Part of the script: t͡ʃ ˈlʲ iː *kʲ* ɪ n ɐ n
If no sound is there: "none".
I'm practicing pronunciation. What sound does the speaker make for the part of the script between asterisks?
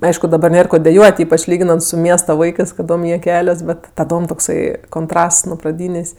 ɡʲ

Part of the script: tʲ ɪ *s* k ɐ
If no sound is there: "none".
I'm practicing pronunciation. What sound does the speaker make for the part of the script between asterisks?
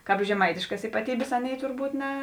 ʃ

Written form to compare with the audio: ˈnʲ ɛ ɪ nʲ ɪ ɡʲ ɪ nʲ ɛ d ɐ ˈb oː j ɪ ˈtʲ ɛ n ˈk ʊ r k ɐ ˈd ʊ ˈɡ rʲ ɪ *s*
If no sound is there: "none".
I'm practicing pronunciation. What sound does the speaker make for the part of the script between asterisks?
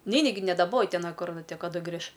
ʃ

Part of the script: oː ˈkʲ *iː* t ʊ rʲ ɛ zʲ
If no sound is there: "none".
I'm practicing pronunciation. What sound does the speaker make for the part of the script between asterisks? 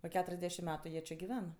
æː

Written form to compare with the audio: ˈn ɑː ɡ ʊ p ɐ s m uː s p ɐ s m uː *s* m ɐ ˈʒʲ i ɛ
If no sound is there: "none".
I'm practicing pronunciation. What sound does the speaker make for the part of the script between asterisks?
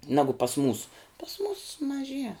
s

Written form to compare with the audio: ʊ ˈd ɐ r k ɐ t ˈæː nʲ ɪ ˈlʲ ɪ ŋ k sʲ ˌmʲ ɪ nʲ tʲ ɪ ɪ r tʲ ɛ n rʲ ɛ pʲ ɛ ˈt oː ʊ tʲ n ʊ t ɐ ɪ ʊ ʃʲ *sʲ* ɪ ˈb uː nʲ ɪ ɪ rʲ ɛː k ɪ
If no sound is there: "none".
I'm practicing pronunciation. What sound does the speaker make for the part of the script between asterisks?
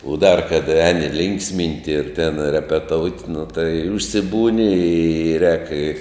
sʲ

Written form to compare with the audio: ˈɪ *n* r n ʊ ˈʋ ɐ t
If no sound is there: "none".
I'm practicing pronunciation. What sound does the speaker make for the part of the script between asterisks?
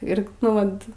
none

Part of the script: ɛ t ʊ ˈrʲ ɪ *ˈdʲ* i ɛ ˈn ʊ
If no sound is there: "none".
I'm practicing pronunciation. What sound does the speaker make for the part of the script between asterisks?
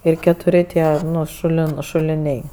tʲ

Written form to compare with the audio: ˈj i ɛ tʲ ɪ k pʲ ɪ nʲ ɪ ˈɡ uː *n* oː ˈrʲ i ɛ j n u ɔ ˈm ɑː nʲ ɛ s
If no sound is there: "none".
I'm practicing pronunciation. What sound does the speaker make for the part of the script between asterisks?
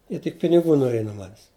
n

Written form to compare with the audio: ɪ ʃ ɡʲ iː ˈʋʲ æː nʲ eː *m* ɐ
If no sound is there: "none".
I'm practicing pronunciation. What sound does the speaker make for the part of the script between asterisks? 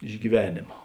m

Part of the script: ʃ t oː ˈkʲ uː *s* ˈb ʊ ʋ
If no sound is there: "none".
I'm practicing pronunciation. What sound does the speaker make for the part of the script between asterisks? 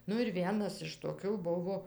none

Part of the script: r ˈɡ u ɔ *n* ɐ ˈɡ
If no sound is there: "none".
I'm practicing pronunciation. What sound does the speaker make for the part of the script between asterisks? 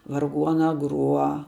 n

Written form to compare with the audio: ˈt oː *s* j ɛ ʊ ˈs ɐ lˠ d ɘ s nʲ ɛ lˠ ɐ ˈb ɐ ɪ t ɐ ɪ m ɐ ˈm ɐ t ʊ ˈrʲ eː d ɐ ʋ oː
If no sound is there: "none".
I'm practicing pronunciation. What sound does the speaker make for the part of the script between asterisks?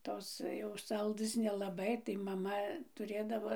s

